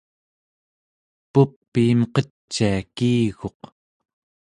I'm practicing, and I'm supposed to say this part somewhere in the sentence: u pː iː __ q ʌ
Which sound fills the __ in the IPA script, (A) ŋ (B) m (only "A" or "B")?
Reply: B